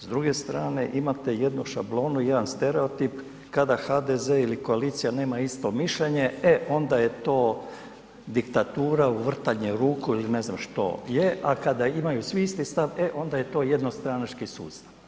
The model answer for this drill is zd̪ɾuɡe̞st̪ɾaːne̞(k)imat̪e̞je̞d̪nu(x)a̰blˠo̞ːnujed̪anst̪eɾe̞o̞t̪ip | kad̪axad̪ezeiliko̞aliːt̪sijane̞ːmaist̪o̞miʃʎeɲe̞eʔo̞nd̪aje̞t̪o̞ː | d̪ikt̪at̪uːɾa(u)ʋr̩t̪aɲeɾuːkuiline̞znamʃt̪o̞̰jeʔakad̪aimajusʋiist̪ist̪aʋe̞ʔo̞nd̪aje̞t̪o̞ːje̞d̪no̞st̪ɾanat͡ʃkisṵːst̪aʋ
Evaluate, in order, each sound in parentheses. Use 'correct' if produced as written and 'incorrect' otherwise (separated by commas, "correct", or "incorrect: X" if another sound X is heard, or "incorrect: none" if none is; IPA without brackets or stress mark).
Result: incorrect: ʔ, incorrect: ʃ, correct